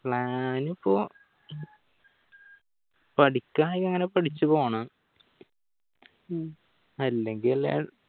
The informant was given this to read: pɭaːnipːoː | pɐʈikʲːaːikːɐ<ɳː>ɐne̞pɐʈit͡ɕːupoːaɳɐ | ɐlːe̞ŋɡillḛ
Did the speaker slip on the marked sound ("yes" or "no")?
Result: yes